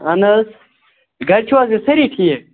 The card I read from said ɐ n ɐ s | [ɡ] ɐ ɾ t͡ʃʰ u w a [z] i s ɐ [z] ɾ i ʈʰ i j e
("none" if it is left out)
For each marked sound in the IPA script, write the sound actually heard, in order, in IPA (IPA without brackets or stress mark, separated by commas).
ɡ, z, none